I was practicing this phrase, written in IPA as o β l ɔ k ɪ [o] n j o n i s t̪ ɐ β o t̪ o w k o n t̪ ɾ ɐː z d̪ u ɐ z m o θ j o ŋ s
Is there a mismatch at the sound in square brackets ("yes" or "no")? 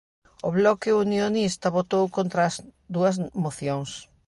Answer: yes